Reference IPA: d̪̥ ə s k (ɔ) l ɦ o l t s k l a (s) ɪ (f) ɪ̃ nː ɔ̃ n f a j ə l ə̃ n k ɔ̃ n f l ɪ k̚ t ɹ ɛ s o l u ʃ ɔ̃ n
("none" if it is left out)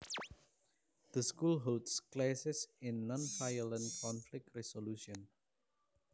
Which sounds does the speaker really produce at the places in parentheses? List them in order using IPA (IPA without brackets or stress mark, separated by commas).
u, s, s